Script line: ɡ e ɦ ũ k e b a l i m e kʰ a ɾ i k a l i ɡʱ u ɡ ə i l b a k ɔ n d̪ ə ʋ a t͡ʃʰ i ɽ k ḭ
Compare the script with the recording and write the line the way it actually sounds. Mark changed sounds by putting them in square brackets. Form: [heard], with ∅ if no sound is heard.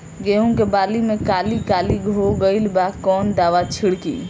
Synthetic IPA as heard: ɡ e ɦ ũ k e b a l i m e [k] a [l] i k a l i ɡʱ [o] ɡ ə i l b a k ɔ n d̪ [a] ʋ a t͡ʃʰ i ɽ k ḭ